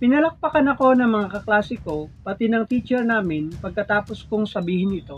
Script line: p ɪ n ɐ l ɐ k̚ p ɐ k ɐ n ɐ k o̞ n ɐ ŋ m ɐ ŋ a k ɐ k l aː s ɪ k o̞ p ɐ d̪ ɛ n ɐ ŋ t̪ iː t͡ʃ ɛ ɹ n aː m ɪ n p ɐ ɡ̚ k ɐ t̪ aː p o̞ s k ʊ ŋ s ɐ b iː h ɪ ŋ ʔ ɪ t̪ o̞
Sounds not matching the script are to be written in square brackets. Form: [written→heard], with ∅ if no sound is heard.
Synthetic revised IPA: p ɪ n ɐ l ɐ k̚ p ɐ k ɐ n ɐ k o̞ n ɐ ŋ m ɐ ŋ a k ɐ k l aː s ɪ k o̞ p ɐ [d̪→t̪] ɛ n ɐ ŋ t̪ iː t͡ʃ ɛ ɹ n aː m ɪ n p ɐ ɡ̚ k ɐ t̪ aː p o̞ s k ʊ ŋ s ɐ b iː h ɪ [ŋ→n] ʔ ɪ t̪ o̞